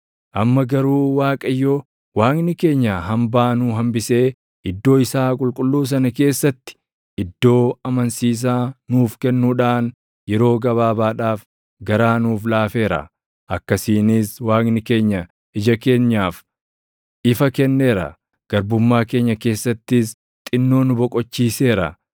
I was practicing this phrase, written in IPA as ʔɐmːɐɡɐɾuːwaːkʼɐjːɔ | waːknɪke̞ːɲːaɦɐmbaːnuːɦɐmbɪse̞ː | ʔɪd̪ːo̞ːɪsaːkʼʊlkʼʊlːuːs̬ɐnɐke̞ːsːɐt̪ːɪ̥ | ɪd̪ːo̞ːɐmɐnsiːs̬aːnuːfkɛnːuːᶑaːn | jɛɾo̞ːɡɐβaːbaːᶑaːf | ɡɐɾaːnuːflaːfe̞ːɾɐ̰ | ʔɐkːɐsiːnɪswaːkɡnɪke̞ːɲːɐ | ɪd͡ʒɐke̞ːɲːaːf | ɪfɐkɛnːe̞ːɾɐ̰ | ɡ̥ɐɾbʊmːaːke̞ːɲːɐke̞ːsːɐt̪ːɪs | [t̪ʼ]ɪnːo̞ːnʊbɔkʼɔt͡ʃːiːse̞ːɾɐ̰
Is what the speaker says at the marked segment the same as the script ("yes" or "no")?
yes